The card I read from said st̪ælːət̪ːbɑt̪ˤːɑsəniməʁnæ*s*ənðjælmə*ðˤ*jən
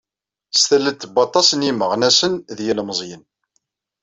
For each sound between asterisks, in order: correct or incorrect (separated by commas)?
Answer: correct, incorrect